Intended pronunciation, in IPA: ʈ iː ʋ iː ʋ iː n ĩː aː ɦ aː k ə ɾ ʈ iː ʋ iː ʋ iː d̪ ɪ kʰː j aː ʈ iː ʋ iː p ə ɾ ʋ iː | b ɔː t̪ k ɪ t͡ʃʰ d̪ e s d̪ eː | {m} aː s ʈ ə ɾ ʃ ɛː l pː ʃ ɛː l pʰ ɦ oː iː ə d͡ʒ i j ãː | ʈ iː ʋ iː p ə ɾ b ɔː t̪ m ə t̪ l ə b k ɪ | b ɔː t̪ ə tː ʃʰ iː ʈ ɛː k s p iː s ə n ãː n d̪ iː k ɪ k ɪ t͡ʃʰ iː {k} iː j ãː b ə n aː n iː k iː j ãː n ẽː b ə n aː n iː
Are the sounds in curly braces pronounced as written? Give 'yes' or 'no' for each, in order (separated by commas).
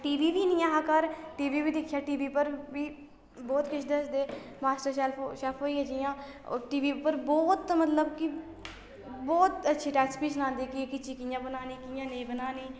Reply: yes, yes